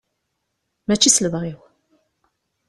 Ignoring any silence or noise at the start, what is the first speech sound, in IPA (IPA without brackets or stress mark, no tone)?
m